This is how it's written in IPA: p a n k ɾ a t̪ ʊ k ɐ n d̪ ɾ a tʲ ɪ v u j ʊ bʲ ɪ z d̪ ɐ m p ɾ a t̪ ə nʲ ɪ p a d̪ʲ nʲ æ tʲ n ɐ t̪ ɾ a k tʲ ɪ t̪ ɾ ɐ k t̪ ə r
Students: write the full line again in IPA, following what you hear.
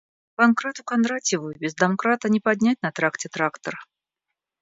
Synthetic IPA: p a n k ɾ a t̪ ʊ k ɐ n d̪ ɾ a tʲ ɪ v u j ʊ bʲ ɪ z d̪ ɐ m k ɾ a t̪ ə nʲ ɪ p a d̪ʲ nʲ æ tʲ n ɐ t̪ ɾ a k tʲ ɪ t̪ ɾ a k t̪ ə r

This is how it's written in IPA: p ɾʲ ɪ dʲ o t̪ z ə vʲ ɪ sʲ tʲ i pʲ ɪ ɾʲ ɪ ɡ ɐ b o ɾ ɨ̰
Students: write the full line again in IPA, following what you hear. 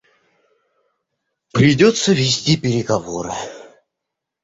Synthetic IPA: p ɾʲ ɪ dʲ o t̪ s ə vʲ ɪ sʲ tʲ i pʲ ɪ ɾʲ ɪ ɡ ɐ v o ɾ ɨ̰

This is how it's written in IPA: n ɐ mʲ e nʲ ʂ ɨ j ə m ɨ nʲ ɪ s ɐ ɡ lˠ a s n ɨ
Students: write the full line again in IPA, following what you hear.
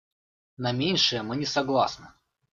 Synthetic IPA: n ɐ mʲ e nʲ ʂ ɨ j ə m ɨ nʲ ɪ s ɐ ɡ lˠ a s n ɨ

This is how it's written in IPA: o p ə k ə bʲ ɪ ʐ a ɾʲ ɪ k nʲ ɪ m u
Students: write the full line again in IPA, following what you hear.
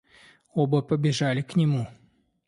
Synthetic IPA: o b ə p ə bʲ ɪ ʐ a lʲ ɪ k nʲ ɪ m u

